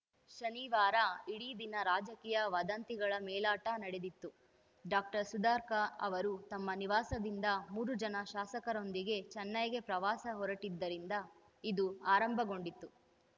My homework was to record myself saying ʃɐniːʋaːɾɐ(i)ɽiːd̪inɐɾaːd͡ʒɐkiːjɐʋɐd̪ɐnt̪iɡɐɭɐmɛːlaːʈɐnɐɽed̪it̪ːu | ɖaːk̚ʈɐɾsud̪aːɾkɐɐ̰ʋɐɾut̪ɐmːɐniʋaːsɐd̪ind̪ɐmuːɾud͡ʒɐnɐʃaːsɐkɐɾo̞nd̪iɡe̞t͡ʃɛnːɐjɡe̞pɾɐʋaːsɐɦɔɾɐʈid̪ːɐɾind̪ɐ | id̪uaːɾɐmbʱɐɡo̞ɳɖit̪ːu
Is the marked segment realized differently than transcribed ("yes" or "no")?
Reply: no